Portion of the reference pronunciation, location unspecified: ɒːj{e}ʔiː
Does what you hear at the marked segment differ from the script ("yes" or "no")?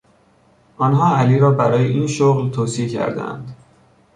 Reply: no